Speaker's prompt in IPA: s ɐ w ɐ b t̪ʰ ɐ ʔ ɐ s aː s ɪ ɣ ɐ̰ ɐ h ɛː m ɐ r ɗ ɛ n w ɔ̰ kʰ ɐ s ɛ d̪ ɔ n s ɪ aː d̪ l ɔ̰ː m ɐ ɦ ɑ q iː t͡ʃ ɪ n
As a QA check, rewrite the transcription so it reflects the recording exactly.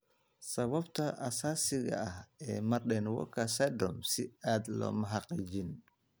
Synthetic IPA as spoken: s ɐ β ɐ b t̪ʰ ɐ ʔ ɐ s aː s ɪ ɣ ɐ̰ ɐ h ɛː m ɐ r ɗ ɛ n w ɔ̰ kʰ ɐ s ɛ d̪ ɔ m s ɪ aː d̪ l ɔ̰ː m ɐ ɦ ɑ q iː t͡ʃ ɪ n